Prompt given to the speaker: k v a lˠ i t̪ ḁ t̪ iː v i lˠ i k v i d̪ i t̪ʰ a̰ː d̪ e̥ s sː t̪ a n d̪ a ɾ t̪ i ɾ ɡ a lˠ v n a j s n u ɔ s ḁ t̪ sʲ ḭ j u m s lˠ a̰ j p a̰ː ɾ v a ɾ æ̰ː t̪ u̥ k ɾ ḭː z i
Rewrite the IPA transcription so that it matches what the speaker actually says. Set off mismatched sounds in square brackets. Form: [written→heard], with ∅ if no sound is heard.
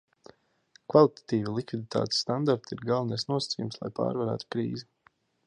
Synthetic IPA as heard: k v a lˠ i t̪ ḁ t̪ iː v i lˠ i k v i d̪ i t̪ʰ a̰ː [d̪→t̪] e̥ s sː t̪ a n d̪ a ɾ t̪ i ɾ ɡ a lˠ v n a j s n u ɔ s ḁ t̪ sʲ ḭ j u m s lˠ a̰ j p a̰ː ɾ v a ɾ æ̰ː t̪ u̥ k ɾ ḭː z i